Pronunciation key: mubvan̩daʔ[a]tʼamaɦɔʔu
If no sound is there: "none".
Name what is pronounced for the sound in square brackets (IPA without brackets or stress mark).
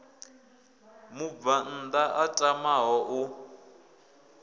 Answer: a